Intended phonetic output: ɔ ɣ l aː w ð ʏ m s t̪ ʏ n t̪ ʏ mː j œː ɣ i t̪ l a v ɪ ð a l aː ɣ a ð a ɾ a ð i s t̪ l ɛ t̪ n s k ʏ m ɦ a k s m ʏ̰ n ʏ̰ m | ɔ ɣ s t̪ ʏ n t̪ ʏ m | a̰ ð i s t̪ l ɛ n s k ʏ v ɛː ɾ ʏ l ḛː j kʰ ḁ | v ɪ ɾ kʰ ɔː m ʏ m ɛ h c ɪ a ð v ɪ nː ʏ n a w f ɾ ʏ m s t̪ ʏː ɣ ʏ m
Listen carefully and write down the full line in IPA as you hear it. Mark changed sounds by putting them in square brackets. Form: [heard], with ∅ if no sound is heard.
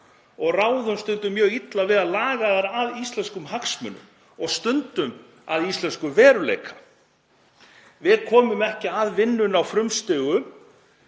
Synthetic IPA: ɔ ɣ [r] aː w ð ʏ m s t̪ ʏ n t̪ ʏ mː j œː ɣ i t̪ l a v ɪ ð a l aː ɣ a ð a ɾ a ð i s t̪ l ɛ [∅] n s k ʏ m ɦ a k s m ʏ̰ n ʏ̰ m | ɔ ɣ s t̪ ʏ n t̪ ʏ m | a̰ ð i s t̪ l ɛ n s k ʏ v ɛː ɾ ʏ l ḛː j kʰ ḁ | v ɪ ɾ kʰ ɔː m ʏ m ɛ h c ɪ a ð v ɪ nː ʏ n a w f ɾ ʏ m s t̪ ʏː ɣ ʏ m